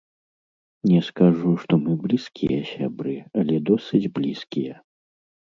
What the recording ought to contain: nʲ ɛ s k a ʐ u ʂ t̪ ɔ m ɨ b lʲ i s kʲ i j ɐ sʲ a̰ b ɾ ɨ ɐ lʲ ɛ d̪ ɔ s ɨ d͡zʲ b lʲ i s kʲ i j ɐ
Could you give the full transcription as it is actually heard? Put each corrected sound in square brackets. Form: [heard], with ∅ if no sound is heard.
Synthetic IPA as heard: nʲ ɛ s k a ʐ u ʂ t̪ ɔ m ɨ b lʲ i s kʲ i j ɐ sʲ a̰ b ɾ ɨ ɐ lʲ ɛ d̪ ɔ s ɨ d͡zʲ b lʲ i s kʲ i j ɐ